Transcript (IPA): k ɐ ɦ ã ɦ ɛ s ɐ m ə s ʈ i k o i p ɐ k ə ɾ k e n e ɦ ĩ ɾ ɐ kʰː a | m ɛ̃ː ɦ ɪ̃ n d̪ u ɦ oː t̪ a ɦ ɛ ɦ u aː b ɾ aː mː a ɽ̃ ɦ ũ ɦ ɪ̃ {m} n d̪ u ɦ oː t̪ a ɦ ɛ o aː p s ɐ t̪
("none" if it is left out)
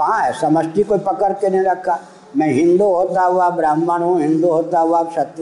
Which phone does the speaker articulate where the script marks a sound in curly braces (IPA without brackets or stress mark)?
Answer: none